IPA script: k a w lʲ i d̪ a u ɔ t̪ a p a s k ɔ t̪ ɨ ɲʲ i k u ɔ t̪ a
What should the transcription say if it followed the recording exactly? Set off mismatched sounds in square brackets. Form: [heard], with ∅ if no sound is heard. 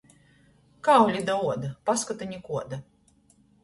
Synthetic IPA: k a w lʲ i d̪ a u ɔ [d̪] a p a s k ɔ t̪ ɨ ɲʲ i k u ɔ [d̪] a